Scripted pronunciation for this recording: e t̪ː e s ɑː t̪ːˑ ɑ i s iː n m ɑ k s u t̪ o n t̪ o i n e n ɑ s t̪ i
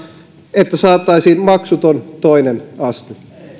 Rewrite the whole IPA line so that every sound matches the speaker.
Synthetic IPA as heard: e t̪ː æ s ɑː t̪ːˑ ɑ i s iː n m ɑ k s u t̪ o n t̪ o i n e n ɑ s t̪ i